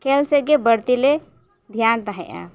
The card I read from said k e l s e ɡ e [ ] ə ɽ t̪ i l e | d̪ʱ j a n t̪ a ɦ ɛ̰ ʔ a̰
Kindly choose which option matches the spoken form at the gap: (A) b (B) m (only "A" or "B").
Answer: A